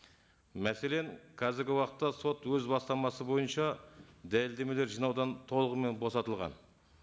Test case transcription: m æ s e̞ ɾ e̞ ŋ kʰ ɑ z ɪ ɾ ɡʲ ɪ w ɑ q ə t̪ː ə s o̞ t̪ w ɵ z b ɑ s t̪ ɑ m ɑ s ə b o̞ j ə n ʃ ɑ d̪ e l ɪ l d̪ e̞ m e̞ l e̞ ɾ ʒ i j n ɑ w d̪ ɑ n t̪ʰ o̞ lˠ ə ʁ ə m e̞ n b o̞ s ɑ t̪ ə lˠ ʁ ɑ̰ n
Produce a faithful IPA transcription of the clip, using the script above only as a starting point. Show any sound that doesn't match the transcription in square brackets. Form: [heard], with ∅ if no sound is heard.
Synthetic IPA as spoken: m æ s e̞ [l] e̞ ŋ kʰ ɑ z ɪ ɾ ɡʲ ɪ w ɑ q ə t̪ː [ɑ] s o̞ t̪ w ɵ z b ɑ s t̪ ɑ m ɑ s ə b o̞ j ə n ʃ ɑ d̪ [æ] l ɪ l d̪ e̞ m e̞ l e̞ ɾ ʒ i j n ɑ w d̪ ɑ n t̪ʰ o̞ lˠ ə ʁ ə m e̞ n b o̞ s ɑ t̪ ə lˠ ʁ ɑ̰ n